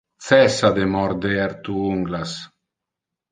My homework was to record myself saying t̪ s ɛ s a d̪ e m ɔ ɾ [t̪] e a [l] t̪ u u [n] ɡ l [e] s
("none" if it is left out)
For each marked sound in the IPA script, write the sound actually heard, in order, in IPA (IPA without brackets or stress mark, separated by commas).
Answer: d̪, ɾ, ŋ, a